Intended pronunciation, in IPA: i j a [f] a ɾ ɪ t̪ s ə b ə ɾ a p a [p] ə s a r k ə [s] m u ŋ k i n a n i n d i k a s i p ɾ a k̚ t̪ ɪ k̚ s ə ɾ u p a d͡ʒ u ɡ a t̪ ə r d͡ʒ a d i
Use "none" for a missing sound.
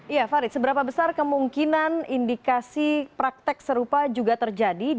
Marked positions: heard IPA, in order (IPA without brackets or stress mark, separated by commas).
f, b, none